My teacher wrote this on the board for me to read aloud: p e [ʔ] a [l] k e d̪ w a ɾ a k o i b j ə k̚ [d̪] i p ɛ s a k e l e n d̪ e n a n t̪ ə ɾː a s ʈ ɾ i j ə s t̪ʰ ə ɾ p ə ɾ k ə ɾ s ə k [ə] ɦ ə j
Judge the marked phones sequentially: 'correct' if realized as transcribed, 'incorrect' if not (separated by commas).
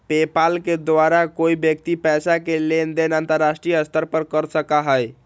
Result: incorrect, correct, incorrect, incorrect